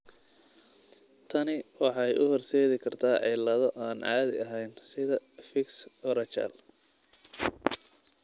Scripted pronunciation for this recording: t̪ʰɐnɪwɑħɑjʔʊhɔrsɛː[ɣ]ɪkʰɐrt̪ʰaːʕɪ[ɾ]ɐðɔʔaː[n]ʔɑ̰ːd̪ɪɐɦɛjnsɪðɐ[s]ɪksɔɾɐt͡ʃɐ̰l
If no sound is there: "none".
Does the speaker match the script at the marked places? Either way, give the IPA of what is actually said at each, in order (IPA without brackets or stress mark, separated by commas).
ð, l, n, f